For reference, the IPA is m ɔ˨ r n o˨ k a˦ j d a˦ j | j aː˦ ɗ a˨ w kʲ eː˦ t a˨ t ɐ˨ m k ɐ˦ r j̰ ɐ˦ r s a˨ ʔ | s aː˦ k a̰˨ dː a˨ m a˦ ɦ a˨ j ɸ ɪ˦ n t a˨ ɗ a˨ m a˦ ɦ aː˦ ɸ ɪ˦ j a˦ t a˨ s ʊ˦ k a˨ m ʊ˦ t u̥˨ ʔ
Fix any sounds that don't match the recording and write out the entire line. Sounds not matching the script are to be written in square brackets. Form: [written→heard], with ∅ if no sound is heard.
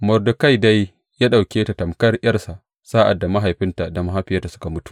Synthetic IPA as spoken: m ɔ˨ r [n→d] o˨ k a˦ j d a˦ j | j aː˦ ɗ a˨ w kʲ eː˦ t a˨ t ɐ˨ m k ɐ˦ r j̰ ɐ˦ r s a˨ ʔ | s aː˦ [k→ʔ] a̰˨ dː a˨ m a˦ ɦ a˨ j ɸ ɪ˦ n t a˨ [ɗ→d] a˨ m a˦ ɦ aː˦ ɸ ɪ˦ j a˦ t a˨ s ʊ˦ k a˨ m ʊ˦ t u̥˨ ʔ